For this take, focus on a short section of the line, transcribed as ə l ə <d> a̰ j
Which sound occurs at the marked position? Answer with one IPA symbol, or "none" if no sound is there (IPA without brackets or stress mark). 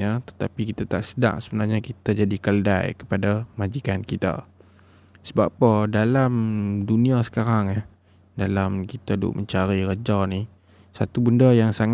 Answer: d